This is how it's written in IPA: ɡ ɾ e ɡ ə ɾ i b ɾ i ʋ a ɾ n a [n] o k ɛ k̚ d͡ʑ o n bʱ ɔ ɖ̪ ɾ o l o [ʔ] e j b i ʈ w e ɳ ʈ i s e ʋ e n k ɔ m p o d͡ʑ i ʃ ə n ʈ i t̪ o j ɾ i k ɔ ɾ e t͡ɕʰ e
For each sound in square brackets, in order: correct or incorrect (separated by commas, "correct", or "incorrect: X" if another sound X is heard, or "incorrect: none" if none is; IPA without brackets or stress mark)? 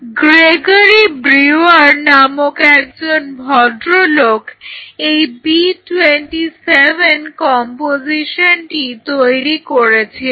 incorrect: m, incorrect: k